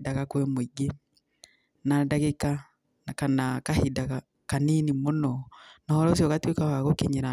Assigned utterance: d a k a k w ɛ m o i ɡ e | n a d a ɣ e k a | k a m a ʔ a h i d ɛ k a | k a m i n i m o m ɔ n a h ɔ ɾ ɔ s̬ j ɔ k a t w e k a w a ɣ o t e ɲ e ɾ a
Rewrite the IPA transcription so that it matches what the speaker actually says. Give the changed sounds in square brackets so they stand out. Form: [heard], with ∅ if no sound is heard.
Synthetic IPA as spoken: d a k a k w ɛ m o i ɡ e | n a d a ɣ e k a | k a [n] a [k] a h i d [a] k a | k a [n] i n i m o [n] ɔ n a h ɔ ɾ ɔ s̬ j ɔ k a t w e k a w a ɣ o [k] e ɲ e ɾ a